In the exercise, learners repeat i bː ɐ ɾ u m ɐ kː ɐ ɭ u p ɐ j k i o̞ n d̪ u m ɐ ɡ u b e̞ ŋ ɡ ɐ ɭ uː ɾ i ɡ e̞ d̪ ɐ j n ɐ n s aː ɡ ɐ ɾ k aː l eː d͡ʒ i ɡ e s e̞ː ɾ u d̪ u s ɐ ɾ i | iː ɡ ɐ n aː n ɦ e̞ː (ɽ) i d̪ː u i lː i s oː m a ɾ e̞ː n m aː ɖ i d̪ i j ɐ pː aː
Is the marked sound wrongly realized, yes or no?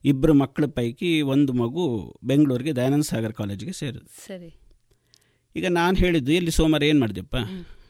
yes